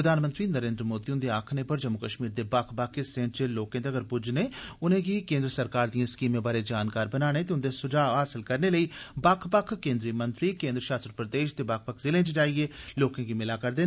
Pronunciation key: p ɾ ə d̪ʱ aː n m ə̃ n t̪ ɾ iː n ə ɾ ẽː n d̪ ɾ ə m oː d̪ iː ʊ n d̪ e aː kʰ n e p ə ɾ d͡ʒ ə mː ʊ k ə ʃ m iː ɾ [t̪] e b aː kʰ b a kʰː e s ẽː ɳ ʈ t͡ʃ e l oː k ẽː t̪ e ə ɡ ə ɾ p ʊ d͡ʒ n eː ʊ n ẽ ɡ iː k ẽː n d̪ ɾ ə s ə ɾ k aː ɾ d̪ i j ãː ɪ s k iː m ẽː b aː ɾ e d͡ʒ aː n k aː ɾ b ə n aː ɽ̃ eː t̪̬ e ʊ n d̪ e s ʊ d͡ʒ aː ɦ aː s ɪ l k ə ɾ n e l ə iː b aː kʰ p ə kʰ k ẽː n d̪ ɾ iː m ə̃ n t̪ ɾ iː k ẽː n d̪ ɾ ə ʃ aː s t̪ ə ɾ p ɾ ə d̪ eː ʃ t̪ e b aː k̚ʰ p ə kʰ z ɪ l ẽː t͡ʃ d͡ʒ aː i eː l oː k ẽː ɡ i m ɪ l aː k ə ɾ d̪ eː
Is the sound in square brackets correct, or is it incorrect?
incorrect